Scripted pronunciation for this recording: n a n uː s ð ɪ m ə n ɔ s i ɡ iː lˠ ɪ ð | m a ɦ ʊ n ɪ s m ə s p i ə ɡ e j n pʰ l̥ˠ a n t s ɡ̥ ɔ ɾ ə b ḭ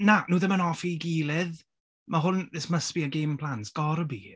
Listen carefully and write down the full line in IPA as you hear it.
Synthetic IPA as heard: n a n uː ð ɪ m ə n ɔ f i ɡ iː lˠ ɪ ð | m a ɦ ʊ n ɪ s m ə s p i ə ɡ e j m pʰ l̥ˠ a n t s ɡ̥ ɔ ɾ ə b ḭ